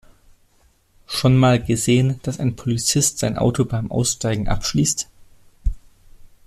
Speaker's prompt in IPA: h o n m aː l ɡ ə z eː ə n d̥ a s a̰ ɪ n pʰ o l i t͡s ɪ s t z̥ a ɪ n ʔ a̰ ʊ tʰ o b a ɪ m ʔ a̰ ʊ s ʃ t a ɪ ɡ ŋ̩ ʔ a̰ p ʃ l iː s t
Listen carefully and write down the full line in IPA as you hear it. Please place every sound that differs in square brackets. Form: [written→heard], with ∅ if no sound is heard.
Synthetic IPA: [h→ʃ] o n m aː l ɡ ə z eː ə n d̥ a s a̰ ɪ n pʰ o l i t͡s ɪ s t z̥ a ɪ n ʔ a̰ ʊ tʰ o b a ɪ m ʔ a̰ ʊ s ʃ t a ɪ ɡ ŋ̩ ʔ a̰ p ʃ l iː s t

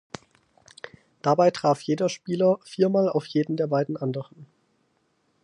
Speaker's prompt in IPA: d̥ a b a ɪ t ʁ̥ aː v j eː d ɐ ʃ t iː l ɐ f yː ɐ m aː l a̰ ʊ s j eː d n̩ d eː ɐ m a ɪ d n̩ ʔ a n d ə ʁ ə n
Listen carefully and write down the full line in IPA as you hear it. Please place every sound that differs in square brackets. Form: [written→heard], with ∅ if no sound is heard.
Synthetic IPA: d̥ a b a ɪ t ʁ̥ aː [v→f] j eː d ɐ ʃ [t→p] iː l ɐ f [yː→iː] ɐ m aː l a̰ ʊ [s→f] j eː d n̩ d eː ɐ [m→b] a ɪ d n̩ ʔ a n d ə ʁ ə n

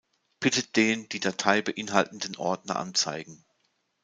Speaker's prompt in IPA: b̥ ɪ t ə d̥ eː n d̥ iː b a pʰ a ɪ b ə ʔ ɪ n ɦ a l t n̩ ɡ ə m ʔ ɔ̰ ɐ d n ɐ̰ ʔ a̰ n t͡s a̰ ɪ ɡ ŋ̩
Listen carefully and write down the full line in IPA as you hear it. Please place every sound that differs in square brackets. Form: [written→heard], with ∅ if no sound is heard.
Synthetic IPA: b̥ ɪ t ə d̥ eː n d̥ iː [b→d] a [pʰ→tʰ] a ɪ b ə ʔ ɪ n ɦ a l t n̩ [ɡ→d] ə [m→n] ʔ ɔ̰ ɐ d n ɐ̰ ʔ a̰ n t͡s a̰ ɪ ɡ ŋ̩

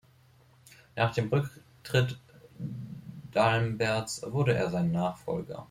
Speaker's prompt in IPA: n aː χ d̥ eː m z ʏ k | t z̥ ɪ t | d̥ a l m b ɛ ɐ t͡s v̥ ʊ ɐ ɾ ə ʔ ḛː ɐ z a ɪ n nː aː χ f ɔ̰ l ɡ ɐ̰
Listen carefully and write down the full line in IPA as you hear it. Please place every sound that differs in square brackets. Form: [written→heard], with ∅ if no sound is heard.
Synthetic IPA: n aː χ d̥ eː m [z→ʁ] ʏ k | t [z̥→ʁ̥] ɪ t | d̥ a l m b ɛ ɐ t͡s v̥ ʊ ɐ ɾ ə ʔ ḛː ɐ z a ɪ n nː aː χ f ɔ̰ l ɡ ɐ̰

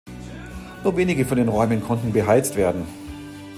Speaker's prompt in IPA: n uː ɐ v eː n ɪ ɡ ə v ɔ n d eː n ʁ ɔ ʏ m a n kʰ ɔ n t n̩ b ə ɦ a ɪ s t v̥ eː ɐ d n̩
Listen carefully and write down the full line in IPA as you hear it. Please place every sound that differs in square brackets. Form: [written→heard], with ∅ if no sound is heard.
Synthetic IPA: n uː ɐ v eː n ɪ ɡ ə [v→f] ɔ n d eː n ʁ ɔ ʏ m [a→ə] n kʰ ɔ n t n̩ b ə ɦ a ɪ [s→t͡s] t v̥ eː ɐ d n̩

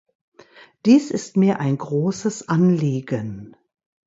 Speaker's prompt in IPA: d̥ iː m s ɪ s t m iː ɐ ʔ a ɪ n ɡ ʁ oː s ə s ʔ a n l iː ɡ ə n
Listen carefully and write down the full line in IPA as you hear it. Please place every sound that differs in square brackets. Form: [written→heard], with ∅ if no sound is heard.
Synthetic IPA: d̥ iː [m→∅] s ɪ s t m iː ɐ ʔ a ɪ n ɡ ʁ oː s ə s ʔ a n l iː ɡ ə n

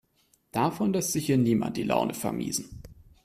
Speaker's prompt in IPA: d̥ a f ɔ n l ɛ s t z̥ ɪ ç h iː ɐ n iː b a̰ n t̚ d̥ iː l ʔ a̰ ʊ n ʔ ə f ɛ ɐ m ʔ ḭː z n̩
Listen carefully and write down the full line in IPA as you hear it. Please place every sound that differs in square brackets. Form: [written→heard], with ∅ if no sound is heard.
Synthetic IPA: d̥ a f ɔ n l ɛ s t z̥ ɪ ç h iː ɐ n iː [b→m] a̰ n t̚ d̥ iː l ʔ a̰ ʊ n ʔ ə f ɛ ɐ m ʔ ḭː z n̩

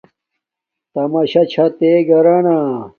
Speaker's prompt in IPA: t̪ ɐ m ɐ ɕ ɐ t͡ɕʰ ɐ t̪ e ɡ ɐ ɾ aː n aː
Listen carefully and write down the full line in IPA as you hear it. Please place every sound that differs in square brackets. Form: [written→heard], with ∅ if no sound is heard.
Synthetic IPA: t̪ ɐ m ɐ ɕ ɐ t͡ɕʰ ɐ t̪ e ɡ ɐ ɾ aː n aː

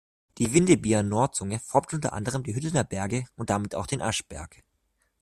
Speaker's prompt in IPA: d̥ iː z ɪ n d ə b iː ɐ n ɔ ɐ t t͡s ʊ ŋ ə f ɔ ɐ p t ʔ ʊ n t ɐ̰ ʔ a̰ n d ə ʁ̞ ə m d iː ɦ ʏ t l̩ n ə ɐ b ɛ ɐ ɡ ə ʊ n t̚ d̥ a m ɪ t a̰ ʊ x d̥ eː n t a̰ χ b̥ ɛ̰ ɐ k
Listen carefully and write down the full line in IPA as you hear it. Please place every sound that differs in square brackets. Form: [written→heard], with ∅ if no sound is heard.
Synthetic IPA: d̥ iː [z→v] ɪ n d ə b iː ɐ n ɔ ɐ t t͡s ʊ ŋ ə f ɔ ɐ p t ʔ ʊ n t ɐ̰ ʔ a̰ n d ə ʁ̞ ə m d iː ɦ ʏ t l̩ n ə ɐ b ɛ ɐ ɡ ə ʊ n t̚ d̥ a m ɪ t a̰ ʊ x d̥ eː n [t→ʔ] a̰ [χ→ʃ] b̥ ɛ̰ ɐ k

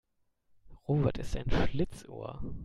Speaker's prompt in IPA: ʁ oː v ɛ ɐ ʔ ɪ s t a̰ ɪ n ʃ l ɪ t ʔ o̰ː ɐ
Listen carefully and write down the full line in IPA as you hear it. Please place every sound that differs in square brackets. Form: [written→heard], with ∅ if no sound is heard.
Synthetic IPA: ʁ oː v ɛ ɐ [ʔ→t] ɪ s t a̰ ɪ n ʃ l ɪ [t→t͡s] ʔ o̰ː ɐ

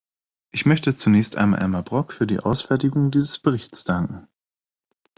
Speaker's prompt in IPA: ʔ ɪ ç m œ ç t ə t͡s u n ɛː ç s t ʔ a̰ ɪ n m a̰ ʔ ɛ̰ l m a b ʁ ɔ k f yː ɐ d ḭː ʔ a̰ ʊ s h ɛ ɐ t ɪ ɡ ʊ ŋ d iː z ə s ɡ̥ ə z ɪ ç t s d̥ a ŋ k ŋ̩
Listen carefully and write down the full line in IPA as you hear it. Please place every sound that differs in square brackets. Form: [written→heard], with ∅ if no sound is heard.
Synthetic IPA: ʔ ɪ ç m œ ç t ə t͡s u n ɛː ç s t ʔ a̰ ɪ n m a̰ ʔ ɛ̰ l m a b ʁ ɔ k f yː ɐ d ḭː ʔ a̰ ʊ s [h→f] ɛ ɐ t ɪ ɡ ʊ ŋ d iː z ə s [ɡ̥→b̥] ə [z→ʁ] ɪ ç t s d̥ a ŋ k ŋ̩

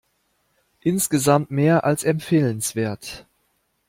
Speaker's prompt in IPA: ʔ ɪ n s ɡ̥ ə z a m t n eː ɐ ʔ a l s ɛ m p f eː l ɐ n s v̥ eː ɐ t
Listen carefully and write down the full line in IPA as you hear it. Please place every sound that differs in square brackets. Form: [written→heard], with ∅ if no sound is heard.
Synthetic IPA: ʔ ɪ n s ɡ̥ ə z a m t [n→m] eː ɐ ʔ a l s ɛ m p f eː l [ɐ→ə] n s v̥ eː ɐ t

